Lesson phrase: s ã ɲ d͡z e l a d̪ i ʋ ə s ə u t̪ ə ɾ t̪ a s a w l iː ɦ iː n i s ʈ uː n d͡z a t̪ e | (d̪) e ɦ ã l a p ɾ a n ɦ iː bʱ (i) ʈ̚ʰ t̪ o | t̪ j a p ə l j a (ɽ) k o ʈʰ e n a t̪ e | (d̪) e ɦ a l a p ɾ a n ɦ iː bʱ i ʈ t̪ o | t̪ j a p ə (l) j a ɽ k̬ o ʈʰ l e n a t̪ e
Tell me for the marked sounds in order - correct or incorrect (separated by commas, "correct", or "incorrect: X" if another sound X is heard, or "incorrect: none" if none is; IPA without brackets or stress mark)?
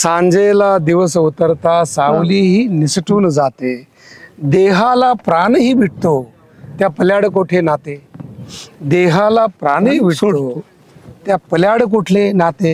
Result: correct, correct, correct, correct, correct